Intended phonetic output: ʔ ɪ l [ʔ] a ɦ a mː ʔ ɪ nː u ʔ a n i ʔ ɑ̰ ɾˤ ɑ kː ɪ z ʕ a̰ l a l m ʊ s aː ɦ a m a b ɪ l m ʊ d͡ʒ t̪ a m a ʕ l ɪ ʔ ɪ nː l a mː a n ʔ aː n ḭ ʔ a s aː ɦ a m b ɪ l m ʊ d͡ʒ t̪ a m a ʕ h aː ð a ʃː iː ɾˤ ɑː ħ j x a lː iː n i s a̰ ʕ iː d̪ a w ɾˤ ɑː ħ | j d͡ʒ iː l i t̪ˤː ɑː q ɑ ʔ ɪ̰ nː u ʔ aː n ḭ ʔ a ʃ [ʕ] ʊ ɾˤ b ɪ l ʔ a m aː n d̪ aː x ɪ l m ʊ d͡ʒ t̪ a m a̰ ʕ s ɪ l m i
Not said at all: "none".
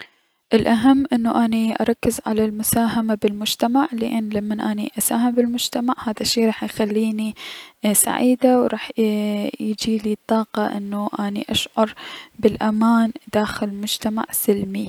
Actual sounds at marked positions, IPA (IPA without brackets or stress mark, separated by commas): ʔ, ʕ